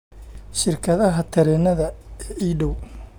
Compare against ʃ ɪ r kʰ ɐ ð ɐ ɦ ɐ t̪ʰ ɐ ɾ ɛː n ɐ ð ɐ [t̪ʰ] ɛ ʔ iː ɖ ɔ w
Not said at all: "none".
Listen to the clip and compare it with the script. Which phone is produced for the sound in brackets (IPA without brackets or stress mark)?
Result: none